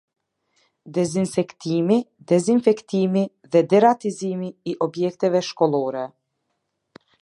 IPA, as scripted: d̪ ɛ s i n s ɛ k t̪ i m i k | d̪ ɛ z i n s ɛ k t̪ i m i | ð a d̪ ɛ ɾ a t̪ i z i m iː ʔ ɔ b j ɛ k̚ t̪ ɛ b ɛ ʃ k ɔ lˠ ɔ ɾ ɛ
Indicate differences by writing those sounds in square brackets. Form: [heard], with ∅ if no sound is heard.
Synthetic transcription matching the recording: d̪ ɛ [z] i n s ɛ k t̪ i m i [∅] | d̪ ɛ z i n [f] ɛ k t̪ i m i | ð [ɛ] d̪ ɛ ɾ a t̪ i z i m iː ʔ ɔ b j ɛ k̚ t̪ ɛ [v] ɛ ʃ k ɔ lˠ ɔ ɾ ɛ